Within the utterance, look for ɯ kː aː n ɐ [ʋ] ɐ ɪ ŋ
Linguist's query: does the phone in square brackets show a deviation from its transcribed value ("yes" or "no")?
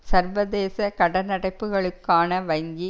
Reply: no